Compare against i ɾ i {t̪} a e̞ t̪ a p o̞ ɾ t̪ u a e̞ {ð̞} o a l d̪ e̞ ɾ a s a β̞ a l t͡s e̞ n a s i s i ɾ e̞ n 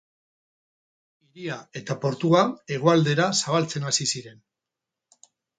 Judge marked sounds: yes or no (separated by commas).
no, no